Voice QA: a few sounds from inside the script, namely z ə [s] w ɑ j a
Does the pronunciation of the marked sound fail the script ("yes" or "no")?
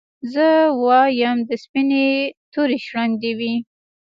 yes